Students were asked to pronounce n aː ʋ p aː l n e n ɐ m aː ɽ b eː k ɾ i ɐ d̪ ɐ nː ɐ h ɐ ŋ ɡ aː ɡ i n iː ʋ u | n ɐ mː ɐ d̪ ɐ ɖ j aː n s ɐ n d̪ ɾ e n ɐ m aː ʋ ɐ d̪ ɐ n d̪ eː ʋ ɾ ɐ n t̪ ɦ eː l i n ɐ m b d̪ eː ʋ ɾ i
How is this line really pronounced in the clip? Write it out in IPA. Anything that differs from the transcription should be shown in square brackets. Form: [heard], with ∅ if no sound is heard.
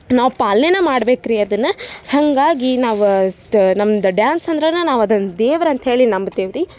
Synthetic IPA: n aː ʋ p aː l n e n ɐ m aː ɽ b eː k ɾ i ɐ d̪ ɐ nː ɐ h ɐ ŋ ɡ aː ɡ i n [aː] ʋ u | n ɐ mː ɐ d̪ ɐ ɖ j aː n s ɐ n d̪ ɾ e n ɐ [n] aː ʋ ɐ d̪ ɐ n d̪ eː ʋ ɾ ɐ n t̪ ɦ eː [ɭ] i n ɐ m b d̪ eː ʋ ɾ i